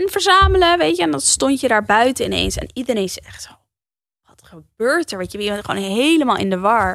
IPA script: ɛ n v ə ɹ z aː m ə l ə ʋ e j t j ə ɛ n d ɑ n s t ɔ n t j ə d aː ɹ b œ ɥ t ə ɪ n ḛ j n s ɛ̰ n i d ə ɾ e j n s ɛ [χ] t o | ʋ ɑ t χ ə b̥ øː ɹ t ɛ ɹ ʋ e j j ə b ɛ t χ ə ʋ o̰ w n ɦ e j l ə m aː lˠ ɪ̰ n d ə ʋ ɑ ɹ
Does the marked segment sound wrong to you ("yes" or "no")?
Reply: no